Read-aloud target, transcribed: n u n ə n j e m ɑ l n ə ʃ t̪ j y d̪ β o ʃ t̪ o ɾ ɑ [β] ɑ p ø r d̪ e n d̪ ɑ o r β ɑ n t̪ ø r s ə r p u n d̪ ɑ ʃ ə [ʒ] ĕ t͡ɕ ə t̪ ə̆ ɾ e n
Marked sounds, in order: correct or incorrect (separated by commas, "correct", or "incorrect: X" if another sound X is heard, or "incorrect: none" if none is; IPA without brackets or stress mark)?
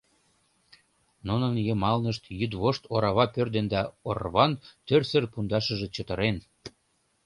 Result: correct, correct